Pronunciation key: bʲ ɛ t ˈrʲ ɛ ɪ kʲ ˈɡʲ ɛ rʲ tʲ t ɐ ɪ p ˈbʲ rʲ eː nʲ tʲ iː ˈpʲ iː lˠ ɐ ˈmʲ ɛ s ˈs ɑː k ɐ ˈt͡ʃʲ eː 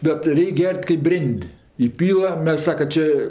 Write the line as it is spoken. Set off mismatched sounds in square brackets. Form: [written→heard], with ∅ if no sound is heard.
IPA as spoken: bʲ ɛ t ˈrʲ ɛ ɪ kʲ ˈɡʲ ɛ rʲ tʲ [t→k] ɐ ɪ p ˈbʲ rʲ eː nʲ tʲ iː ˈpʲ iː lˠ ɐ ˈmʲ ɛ s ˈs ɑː k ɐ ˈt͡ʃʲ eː

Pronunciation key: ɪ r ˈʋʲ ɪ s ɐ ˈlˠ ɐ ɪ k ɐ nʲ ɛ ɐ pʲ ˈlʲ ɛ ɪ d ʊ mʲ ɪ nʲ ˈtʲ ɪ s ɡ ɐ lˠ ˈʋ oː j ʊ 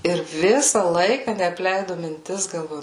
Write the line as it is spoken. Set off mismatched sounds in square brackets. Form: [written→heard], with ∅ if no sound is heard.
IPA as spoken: ɪ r ˈʋʲ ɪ s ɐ ˈlˠ ɐ ɪ k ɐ nʲ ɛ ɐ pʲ ˈlʲ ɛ ɪ d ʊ mʲ ɪ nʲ ˈtʲ ɪ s ɡ ɐ lˠ ˈʋ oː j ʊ

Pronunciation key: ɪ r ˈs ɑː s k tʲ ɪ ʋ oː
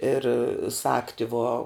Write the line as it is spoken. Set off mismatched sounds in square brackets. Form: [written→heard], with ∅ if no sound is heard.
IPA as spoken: ɪ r ˈs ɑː [s→∅] k tʲ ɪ ʋ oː

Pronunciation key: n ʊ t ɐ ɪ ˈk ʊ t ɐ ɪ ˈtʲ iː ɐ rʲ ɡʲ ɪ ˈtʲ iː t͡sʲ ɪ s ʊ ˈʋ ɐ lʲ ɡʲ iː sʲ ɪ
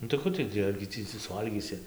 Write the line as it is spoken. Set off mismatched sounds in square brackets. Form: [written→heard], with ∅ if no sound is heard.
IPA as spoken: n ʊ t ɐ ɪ ˈk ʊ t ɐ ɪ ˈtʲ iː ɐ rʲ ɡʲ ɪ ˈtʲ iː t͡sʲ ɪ s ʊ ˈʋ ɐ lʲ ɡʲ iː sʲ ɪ

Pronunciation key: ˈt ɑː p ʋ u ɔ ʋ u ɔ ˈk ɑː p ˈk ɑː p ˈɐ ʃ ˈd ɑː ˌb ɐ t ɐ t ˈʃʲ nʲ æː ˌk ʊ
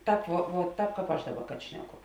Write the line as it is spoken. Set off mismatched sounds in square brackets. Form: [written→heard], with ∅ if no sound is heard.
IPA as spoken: ˈt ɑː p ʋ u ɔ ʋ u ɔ [ˈk→ˈt] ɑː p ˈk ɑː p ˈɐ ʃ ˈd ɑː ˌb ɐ [t→k] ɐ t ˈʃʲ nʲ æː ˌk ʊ

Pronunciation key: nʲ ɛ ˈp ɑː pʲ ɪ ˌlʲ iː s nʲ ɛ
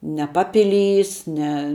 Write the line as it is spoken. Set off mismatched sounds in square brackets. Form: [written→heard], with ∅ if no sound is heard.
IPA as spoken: nʲ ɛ ˈp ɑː pʲ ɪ ˌlʲ iː s nʲ ɛ

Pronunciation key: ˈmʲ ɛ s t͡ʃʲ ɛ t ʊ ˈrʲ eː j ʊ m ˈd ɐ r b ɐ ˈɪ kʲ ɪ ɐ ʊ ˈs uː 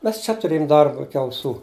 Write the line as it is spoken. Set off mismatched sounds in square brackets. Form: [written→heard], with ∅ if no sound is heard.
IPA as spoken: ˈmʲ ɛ s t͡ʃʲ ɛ t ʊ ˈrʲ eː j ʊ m ˈd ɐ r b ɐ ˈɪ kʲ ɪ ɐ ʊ ˈs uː

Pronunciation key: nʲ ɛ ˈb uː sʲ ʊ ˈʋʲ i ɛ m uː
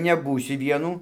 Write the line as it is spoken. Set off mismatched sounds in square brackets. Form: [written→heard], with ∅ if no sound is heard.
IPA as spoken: nʲ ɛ ˈb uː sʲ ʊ ˈʋʲ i ɛ [m→n] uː

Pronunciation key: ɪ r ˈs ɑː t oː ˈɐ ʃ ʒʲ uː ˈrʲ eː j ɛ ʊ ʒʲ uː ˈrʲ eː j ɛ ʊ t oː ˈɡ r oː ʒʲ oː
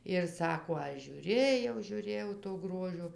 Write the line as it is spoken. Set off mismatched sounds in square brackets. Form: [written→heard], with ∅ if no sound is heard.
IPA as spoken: ɪ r ˈs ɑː [t→k] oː ˈɐ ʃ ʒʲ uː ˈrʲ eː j ɛ ʊ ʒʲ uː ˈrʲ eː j ɛ ʊ t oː ˈɡ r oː ʒʲ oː

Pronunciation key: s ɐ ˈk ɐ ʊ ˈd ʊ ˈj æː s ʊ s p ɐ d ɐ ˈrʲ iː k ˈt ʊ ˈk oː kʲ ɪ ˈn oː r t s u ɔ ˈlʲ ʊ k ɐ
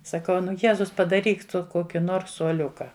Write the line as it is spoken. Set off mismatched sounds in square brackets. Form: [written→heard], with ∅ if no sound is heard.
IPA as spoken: s ɐ ˈk ɐ ʊ [ˈd→ˈn] ʊ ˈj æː [s→z] ʊ s p ɐ d ɐ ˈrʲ iː k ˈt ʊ ˈk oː kʲ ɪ ˈn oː r [t→s] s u ɔ ˈlʲ ʊ k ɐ

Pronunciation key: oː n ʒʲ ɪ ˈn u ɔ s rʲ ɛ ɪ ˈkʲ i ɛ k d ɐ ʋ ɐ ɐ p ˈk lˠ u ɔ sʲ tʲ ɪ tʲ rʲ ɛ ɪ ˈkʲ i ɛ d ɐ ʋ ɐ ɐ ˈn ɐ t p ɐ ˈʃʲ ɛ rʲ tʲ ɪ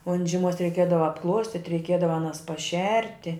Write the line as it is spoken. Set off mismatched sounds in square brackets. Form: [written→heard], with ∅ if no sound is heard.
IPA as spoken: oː n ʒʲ ɪ [ˈn→ˈm] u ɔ s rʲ ɛ ɪ ˈkʲ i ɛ [k→∅] d ɐ ʋ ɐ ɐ p ˈk lˠ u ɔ sʲ tʲ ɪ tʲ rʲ ɛ ɪ ˈkʲ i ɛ d ɐ ʋ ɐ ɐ ˈn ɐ [t→s] p ɐ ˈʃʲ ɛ rʲ tʲ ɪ

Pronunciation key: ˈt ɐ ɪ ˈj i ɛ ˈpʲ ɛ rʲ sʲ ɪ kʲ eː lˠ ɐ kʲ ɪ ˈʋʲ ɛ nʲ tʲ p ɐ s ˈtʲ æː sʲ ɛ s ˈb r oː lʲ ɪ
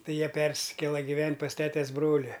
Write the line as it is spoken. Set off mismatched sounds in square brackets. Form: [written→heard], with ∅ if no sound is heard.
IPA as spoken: ˈt ɐ ɪ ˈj i ɛ ˈpʲ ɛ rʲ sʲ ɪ kʲ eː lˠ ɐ [kʲ→ɡʲ] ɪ ˈʋʲ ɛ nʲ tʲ p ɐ s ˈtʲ æː [sʲ→tʲ] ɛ s ˈb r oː lʲ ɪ

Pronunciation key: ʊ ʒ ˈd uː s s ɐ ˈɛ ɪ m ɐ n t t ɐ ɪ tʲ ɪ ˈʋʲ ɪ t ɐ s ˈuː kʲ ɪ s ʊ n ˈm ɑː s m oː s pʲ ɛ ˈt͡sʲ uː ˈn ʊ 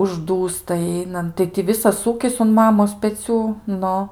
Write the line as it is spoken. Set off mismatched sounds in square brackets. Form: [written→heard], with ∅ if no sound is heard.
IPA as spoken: ʊ ʒ ˈd uː s [s→t] ɐ ˈɛ ɪ [m→n] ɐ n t t ɐ ɪ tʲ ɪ ˈʋʲ ɪ [t→s] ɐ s ˈuː kʲ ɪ s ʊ n ˈm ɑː [s→∅] m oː s pʲ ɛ ˈt͡sʲ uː ˈn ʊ

